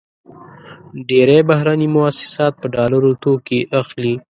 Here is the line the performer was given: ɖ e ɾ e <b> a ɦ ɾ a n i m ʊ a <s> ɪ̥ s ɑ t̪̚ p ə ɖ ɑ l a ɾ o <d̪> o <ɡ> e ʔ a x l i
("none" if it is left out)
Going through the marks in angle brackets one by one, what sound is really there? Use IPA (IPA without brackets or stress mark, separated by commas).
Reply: b, s, t̪, k